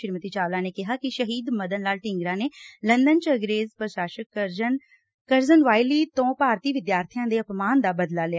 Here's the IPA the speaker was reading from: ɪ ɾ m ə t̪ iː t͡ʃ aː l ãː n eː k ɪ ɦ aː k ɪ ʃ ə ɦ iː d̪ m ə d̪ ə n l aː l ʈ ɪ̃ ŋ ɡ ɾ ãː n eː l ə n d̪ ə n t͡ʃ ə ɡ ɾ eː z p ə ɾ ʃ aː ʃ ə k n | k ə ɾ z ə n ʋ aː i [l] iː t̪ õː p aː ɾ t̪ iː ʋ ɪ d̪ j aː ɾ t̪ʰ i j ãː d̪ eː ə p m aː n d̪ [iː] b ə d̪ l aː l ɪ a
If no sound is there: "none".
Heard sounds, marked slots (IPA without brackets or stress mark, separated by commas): l, aː